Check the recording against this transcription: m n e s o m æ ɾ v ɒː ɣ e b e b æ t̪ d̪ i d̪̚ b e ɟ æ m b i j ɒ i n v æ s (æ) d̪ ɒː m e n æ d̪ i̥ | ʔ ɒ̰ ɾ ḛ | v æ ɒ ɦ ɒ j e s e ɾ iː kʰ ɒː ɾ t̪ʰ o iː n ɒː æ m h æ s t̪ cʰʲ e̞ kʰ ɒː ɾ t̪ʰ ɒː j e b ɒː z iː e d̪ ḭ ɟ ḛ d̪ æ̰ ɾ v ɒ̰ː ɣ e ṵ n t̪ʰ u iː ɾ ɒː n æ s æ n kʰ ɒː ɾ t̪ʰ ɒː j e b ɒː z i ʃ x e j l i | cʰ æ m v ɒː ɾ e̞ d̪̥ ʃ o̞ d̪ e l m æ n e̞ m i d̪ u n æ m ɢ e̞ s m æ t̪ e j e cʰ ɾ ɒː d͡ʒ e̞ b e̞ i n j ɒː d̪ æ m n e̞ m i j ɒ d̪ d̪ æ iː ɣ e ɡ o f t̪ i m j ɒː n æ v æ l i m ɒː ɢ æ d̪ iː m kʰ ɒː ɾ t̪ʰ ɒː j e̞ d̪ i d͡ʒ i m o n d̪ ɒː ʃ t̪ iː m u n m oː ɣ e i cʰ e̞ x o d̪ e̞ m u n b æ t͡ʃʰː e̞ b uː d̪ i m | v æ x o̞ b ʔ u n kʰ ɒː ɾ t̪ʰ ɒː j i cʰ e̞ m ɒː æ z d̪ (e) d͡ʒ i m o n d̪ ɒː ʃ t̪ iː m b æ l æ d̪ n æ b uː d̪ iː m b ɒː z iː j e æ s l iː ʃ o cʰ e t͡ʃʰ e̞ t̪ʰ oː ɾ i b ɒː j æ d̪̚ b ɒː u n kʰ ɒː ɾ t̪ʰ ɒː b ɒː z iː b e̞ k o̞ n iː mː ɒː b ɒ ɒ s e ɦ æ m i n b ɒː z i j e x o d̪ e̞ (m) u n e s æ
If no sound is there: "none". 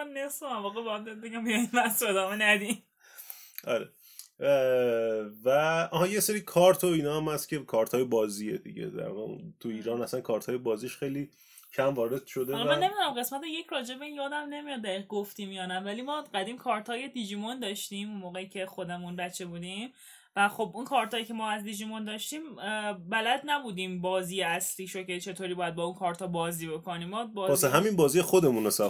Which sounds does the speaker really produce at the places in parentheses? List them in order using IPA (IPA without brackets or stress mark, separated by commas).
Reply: e, i, m